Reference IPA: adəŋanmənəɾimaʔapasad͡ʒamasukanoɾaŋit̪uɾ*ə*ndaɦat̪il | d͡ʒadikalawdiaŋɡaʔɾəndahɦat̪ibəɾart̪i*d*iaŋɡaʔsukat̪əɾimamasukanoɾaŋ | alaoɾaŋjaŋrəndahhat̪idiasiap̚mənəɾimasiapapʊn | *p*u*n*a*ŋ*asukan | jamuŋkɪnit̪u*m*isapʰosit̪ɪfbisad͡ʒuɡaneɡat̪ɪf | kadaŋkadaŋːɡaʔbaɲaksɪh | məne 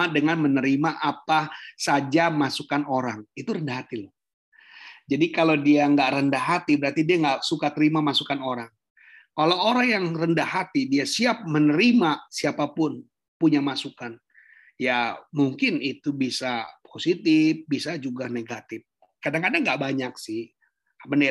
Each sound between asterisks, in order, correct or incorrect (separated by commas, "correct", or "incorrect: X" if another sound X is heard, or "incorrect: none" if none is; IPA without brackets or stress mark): correct, correct, correct, incorrect: ɲ, incorrect: m, incorrect: b